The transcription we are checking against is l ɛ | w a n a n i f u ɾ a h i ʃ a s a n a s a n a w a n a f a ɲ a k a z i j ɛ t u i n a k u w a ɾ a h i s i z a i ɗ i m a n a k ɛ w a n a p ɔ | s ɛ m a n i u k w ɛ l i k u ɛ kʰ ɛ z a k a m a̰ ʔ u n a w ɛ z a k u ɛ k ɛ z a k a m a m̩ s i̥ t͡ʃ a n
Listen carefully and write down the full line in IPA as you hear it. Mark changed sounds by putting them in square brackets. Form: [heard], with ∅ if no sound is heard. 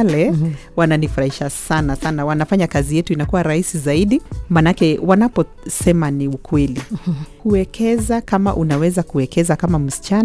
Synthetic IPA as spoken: l ɛ | w a n a n i f u ɾ a h i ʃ a s a n a s a n a w a n a f a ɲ a k a z i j ɛ t u i n a k u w a ɾ a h i s i z a i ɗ i m a n a k ɛ w a n a p ɔ | s ɛ m a n i u k w ɛ l i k u ɛ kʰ ɛ z a k a m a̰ ʔ u n a w ɛ z a k u ɛ k ɛ z a k a m a m̩ s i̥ t͡ʃ a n